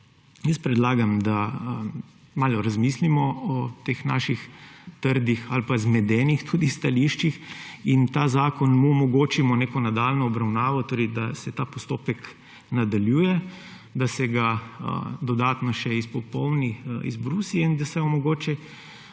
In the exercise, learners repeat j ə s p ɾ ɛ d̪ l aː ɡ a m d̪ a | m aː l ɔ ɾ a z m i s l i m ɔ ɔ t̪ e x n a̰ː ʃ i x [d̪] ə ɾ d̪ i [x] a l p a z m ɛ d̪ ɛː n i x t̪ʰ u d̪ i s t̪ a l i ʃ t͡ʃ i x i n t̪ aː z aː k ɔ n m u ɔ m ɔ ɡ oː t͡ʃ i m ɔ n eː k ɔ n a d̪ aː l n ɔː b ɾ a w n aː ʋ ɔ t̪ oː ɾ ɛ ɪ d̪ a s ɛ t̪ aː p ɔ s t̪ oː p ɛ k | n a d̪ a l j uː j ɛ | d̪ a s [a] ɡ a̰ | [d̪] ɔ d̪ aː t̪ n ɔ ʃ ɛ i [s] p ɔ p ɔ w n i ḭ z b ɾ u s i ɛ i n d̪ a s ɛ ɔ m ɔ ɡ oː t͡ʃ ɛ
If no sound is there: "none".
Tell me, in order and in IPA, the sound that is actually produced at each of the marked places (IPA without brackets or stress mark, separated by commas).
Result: t̪, x, ɛ, d̪, s